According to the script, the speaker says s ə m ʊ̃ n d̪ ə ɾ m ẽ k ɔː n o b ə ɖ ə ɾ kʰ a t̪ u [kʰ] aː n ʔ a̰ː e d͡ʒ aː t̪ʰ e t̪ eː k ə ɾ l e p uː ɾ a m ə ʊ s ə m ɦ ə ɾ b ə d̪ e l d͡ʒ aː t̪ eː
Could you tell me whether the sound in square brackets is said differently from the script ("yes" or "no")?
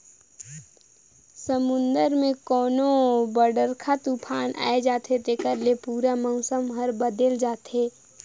yes